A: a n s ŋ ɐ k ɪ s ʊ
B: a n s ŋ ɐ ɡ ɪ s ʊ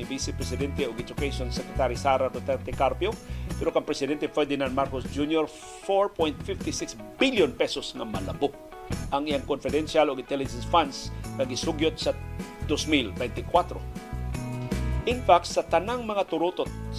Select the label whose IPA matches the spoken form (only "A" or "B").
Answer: B